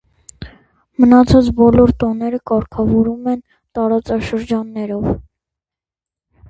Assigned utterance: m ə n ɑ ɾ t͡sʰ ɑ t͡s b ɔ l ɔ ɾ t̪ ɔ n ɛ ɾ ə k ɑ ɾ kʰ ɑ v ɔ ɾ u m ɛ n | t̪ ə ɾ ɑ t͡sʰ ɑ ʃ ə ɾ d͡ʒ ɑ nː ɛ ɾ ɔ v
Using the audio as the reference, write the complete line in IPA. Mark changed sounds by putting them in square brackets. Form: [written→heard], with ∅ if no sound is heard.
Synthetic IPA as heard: m ə n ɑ [ɾ→∅] t͡sʰ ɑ t͡s b ɔ l ɔ ɾ t̪ ɔ n ɛ ɾ ə k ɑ ɾ kʰ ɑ v ɔ ɾ u m ɛ n | t̪ [ə→ɑ] ɾ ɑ [t͡sʰ→t͡s] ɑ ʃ ə ɾ d͡ʒ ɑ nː ɛ ɾ ɔ v